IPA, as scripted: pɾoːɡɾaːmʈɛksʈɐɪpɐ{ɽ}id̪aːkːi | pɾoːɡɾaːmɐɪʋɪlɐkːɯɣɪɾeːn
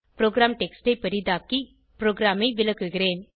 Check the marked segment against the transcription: incorrect: ɾ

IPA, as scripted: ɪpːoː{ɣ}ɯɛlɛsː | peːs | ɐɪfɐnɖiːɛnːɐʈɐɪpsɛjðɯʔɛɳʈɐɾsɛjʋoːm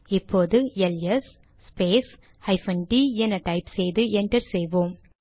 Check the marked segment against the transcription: incorrect: ð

